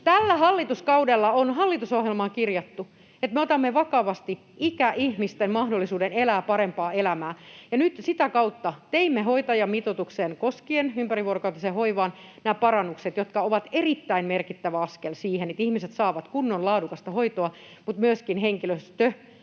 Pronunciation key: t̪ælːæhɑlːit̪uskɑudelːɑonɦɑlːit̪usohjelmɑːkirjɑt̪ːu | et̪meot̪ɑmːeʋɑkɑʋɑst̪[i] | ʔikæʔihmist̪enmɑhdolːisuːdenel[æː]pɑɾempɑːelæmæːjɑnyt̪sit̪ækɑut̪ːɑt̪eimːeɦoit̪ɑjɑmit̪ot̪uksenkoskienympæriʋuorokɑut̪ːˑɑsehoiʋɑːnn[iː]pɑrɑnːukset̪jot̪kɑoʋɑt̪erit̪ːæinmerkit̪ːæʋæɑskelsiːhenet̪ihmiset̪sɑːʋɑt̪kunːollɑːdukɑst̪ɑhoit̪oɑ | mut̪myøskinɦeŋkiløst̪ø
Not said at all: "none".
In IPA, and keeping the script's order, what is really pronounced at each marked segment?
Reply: i, æː, æː

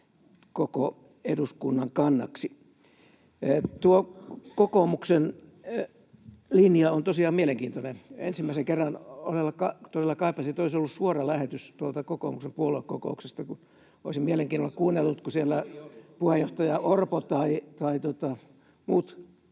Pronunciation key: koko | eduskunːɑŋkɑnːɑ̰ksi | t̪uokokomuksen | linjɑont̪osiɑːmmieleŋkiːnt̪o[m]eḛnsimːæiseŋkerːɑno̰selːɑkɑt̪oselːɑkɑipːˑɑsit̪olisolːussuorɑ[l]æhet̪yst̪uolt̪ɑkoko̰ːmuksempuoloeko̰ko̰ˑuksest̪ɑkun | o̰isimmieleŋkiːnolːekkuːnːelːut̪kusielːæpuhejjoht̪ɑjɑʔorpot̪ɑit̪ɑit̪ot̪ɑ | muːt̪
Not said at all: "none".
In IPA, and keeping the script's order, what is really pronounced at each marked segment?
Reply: n, l

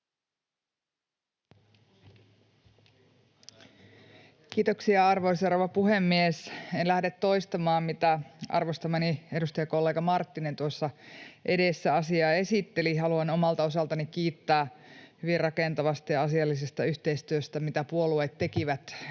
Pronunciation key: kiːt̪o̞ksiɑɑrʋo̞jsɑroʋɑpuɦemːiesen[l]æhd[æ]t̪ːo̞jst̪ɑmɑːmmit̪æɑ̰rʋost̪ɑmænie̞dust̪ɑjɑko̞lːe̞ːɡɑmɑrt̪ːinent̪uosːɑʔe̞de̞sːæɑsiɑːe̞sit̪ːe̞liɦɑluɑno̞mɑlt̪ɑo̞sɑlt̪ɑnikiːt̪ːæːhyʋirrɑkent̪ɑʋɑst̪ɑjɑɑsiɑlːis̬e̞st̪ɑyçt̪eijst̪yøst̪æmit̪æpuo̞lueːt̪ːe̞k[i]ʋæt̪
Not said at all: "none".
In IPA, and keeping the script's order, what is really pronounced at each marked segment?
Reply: l, e, i

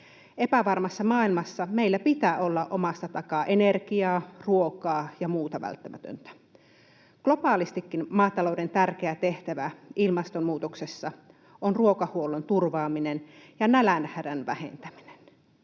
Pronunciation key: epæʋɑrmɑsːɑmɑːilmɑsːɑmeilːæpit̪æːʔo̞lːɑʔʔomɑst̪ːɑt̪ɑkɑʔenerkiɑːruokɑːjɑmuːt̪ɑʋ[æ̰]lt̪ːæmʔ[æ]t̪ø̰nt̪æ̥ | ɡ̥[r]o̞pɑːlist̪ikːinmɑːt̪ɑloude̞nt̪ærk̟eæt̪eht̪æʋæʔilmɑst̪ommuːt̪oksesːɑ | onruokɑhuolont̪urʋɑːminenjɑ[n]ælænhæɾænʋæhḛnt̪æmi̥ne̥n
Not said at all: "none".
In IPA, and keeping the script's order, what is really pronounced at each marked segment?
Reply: æ̰, æ, l, n

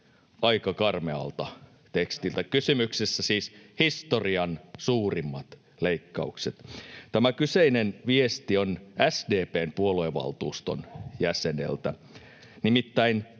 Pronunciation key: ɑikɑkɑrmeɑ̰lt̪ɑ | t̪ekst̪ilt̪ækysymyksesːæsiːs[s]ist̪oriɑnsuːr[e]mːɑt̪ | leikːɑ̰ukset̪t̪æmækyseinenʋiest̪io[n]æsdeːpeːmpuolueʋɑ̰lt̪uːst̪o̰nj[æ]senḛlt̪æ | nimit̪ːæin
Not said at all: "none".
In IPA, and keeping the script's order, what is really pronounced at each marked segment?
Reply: h, i, n, æ

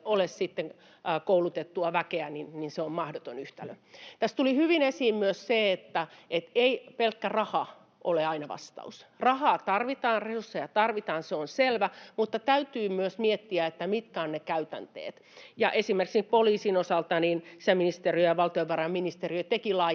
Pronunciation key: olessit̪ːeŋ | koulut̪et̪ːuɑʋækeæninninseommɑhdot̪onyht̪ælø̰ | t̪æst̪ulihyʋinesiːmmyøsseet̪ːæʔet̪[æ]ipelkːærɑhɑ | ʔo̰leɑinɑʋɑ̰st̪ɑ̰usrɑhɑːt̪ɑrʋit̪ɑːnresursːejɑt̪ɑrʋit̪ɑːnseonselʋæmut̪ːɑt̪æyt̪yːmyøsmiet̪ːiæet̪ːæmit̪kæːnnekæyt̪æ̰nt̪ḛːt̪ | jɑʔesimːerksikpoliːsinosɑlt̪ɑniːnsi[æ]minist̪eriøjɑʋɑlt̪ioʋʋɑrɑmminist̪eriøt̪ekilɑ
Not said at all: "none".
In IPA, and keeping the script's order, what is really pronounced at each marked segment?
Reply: e, æ

